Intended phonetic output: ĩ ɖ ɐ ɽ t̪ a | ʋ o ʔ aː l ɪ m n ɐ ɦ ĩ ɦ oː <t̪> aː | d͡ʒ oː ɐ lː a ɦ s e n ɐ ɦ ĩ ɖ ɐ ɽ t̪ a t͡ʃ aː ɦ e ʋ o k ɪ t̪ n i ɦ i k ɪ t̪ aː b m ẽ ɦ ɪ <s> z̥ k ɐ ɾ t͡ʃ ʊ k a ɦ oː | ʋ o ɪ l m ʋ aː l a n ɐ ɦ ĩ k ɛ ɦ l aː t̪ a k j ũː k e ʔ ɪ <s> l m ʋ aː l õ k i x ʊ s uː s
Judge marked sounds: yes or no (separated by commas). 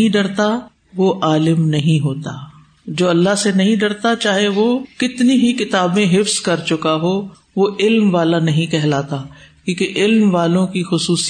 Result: yes, no, no